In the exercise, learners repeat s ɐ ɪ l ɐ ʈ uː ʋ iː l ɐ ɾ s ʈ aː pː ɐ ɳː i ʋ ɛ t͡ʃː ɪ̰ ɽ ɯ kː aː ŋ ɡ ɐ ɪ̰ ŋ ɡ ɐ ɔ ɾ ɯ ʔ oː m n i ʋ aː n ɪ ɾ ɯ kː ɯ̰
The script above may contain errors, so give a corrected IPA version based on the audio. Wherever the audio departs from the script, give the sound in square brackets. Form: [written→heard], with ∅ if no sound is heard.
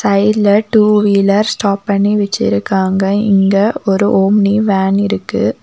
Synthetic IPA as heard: s ɐ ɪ l ɐ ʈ uː ʋ iː l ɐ ɾ s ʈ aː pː ɐ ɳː i ʋ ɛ t͡ʃː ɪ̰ [ɽ→ɾ] ɯ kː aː ŋ ɡ ɐ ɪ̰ ŋ ɡ ɐ ɔ ɾ ɯ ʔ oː m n i ʋ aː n ɪ ɾ ɯ kː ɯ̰